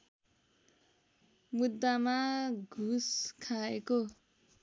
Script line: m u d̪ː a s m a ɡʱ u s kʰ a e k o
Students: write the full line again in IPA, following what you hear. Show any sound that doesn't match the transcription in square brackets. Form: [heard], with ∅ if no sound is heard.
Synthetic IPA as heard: m u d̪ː a [∅] m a ɡʱ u s kʰ a e k o